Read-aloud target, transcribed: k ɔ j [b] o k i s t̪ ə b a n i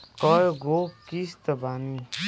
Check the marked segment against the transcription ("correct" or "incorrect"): incorrect